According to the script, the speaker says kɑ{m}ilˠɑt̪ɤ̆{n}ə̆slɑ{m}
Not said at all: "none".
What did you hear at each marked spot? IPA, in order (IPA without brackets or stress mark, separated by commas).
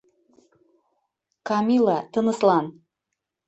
m, n, n